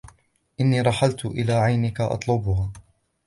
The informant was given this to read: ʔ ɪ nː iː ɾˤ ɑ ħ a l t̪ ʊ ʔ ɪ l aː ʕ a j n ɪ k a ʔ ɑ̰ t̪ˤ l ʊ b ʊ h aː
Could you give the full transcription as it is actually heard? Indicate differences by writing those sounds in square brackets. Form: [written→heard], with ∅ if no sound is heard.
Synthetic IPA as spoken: ʔ ɪ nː iː ɾˤ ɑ ħ a l t̪ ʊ ʔ ɪ l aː ʕ a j n ɪ k a ʔ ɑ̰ t̪ˤ l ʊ b ʊ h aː